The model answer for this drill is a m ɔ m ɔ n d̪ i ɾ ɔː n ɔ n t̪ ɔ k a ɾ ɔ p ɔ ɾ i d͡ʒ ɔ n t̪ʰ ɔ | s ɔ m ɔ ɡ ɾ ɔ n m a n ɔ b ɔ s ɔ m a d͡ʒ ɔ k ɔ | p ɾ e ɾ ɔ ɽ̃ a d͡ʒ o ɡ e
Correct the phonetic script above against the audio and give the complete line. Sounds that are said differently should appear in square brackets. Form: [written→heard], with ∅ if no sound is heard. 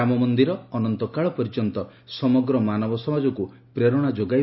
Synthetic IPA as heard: a m ɔ m ɔ n d̪ i ɾ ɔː n ɔ n t̪ ɔ k a [ɾ→ɭ] ɔ p ɔ ɾ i d͡ʒ ɔ n [t̪ʰ→t̪] ɔ | s ɔ m ɔ ɡ ɾ ɔ [n→∅] m a n ɔ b ɔ s ɔ m a d͡ʒ ɔ k [ɔ→u] | p ɾ e ɾ ɔ ɽ̃ a d͡ʒ o ɡ [e→a]